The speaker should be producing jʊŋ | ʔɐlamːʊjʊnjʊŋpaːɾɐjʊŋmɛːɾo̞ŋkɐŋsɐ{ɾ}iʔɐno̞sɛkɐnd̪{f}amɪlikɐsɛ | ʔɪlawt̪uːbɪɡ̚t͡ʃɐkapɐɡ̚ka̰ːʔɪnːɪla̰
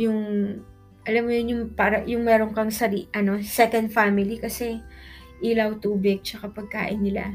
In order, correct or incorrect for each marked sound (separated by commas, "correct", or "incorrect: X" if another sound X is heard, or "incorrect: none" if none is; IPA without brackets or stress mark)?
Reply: correct, correct